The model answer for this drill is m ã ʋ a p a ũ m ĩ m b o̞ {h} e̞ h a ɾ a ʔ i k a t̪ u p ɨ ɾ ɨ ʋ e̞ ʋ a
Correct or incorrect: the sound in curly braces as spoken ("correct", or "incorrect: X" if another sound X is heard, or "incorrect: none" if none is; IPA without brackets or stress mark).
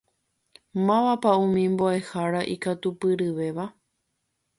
incorrect: none